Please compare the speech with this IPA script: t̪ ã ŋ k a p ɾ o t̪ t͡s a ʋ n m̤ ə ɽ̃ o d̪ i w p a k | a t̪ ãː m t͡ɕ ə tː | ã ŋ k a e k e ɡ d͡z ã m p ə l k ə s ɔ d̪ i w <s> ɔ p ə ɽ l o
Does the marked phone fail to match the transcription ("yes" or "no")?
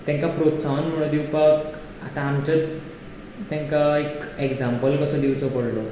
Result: yes